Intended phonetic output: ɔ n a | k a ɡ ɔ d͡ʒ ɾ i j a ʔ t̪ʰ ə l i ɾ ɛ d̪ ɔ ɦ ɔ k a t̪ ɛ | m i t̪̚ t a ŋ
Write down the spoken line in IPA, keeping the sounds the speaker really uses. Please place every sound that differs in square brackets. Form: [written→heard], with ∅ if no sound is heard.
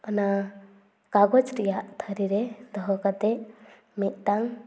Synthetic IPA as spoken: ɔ n a | k a ɡ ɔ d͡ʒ ɾ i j a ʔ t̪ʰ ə [l→ɾ] i ɾ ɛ d̪ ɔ ɦ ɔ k a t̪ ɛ | m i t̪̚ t a ŋ